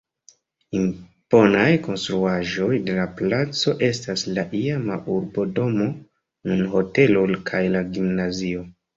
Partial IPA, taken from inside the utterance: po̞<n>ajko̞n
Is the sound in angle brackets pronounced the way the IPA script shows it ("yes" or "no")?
yes